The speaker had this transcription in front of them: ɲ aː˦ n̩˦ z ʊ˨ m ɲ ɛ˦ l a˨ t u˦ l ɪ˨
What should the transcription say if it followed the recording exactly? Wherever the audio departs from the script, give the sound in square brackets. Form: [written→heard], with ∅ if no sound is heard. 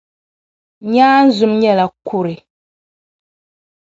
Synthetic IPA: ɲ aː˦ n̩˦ z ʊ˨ m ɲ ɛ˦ l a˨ [t→k] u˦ [l→ɾ] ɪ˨